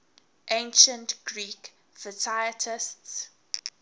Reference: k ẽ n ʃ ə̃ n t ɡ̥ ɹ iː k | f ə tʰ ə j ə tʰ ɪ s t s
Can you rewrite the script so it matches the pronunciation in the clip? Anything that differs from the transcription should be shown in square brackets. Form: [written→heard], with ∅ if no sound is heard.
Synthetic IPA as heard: [k→ʔ] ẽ n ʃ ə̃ n t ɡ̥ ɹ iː k | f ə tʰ [ə→a] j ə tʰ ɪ s t s